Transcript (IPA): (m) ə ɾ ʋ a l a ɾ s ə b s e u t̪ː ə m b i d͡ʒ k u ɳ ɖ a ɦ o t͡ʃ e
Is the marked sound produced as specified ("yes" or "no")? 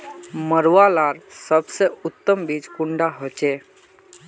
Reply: yes